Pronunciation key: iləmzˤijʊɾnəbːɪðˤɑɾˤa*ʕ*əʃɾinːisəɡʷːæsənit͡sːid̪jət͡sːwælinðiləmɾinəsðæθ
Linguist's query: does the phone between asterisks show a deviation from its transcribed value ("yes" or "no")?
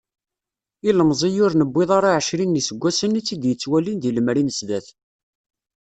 no